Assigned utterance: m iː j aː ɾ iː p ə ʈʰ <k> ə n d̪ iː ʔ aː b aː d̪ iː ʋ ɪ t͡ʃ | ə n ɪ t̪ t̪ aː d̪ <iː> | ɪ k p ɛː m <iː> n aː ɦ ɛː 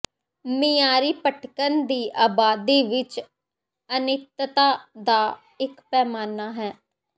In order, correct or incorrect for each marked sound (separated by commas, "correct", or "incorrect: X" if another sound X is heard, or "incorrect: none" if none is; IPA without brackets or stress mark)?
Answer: correct, incorrect: aː, incorrect: aː